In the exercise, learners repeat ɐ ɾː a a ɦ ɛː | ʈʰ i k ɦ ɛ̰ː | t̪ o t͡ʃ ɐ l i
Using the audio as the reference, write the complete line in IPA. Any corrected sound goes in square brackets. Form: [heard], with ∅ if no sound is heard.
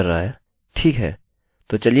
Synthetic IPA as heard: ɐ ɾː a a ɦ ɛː | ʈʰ [iː] k ɦ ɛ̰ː | t̪ o t͡ʃ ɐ l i